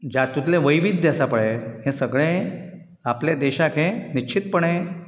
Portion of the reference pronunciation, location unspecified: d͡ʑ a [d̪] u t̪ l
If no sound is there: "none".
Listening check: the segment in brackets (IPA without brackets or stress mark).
t̪